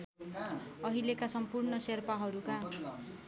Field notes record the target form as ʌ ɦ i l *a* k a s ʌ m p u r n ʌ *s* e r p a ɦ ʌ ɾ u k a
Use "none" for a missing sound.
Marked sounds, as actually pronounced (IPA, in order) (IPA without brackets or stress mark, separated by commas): e, s